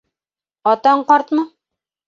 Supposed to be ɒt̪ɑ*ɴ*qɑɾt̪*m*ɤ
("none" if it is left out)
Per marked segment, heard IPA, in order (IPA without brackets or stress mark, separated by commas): ɴ, m